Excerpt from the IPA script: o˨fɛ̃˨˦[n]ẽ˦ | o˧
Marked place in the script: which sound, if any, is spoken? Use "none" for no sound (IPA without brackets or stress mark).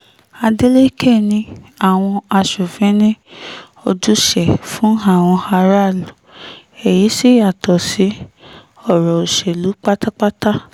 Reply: n